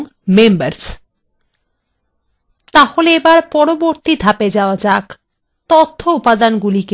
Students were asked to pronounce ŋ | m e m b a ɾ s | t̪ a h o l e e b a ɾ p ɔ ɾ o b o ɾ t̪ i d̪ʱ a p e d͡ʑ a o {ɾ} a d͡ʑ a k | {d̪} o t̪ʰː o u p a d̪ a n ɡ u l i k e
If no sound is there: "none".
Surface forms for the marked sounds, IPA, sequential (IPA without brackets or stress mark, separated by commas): none, t̪